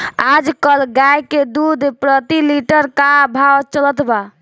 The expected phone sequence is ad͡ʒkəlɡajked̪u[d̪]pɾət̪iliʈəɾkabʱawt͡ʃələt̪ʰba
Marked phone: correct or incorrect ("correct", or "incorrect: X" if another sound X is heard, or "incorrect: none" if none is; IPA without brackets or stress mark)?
correct